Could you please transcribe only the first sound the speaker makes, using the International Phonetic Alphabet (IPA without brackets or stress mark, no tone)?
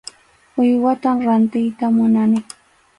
ʊ